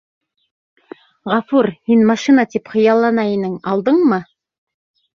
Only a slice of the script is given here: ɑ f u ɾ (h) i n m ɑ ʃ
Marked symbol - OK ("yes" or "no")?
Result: yes